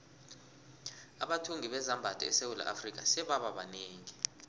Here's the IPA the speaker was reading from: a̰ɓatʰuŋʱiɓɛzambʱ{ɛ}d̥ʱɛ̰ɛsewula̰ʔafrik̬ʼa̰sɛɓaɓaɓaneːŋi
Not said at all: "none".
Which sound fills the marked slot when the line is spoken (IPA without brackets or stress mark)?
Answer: a